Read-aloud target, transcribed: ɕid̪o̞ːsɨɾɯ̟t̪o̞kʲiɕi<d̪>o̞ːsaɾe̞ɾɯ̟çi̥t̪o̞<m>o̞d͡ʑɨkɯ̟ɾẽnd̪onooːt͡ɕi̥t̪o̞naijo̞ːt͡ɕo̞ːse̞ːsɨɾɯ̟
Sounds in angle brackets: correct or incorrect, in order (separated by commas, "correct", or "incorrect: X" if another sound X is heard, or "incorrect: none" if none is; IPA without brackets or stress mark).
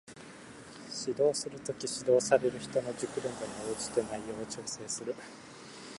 correct, incorrect: n